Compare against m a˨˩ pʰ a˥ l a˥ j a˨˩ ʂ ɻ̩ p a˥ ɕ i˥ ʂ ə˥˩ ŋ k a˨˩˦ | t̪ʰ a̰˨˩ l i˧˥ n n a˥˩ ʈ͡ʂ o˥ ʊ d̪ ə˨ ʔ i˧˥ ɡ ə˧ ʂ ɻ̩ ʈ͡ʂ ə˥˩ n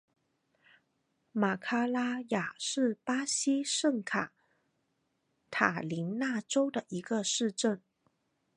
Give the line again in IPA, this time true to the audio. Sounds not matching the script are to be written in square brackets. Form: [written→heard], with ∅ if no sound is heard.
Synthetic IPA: m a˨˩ [pʰ→kʰ] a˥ l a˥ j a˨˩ ʂ ɻ̩ p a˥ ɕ i˥ ʂ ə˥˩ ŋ [k→kʰ] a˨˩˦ | t̪ʰ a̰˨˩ l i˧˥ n n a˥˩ ʈ͡ʂ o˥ ʊ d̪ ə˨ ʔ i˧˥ ɡ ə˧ ʂ ɻ̩ ʈ͡ʂ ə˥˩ n